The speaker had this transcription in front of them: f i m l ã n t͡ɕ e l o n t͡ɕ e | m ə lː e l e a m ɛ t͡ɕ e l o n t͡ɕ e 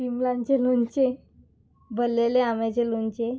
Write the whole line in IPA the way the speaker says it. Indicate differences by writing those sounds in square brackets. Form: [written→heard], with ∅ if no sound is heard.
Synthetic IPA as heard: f i m l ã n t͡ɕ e l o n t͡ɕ e | [m→b] ə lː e l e a m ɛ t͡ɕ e l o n t͡ɕ e